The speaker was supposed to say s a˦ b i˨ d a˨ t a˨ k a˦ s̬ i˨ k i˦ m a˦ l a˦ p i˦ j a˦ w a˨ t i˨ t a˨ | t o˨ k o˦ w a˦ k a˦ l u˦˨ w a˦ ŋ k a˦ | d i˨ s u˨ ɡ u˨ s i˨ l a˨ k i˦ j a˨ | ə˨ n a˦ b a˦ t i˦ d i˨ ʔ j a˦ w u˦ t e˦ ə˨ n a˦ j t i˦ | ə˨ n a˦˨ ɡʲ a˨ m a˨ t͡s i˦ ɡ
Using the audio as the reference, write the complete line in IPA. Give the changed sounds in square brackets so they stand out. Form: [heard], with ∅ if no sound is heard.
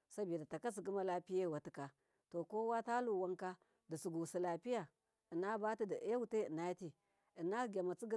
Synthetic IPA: s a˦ b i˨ d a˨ t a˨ k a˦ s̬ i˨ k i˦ m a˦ l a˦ p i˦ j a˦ w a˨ t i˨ [k] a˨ | t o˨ k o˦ w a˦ [t] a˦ l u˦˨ w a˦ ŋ k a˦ | d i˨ s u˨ ɡ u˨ s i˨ l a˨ [p] i˦ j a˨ | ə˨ n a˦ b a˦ t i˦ d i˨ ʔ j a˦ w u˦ t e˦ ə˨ n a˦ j t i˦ | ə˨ n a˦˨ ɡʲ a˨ m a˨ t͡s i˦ ɡ